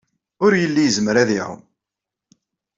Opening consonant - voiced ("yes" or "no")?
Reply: yes